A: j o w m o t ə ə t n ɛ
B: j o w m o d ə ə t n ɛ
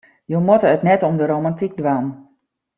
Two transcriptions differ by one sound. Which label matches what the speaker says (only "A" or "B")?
A